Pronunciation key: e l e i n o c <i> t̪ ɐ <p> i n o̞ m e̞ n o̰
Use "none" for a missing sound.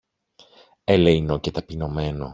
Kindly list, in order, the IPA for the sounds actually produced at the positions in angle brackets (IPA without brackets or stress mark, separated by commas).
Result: e, p